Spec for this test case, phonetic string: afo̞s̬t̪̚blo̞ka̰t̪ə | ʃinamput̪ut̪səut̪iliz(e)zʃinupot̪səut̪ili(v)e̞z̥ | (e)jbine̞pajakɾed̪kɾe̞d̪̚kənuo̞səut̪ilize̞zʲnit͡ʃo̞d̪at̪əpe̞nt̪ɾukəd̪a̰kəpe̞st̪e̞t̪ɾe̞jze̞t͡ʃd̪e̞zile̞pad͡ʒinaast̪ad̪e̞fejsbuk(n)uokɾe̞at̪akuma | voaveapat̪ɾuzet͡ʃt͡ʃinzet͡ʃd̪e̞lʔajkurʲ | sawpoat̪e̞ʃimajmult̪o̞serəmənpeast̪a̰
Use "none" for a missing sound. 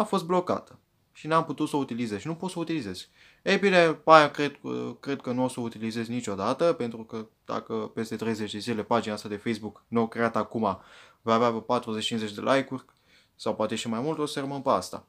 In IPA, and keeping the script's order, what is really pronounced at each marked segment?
e, z, e, n

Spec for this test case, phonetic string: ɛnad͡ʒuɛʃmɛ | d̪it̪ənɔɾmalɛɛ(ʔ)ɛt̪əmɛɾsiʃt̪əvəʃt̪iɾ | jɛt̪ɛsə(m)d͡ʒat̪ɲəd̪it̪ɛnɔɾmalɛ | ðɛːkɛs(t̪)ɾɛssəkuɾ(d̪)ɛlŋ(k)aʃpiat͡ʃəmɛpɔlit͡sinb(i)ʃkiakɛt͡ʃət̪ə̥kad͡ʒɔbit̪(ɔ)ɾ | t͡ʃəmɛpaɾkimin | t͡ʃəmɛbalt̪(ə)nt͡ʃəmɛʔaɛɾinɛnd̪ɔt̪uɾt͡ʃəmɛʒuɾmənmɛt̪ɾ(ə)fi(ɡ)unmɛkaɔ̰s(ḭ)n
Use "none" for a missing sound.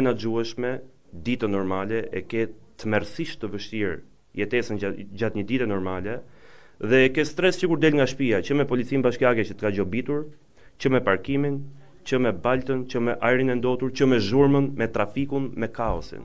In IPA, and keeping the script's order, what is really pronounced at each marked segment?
k, n, t̪, d̪, ɡ, a, u, ə, a, k, ḭ

